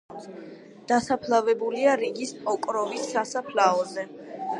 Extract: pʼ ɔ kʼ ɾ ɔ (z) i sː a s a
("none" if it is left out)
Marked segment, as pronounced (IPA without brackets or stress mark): v